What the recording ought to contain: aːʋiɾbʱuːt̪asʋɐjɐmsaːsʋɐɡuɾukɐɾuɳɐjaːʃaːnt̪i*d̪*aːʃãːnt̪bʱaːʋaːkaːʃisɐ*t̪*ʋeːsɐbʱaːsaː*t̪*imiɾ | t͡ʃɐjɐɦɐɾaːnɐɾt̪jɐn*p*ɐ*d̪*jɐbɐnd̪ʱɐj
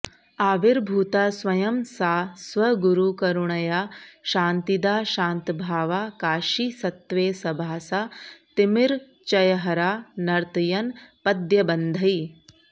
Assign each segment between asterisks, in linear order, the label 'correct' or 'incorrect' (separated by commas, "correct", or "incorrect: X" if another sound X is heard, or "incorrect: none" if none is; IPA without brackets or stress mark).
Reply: correct, correct, correct, correct, correct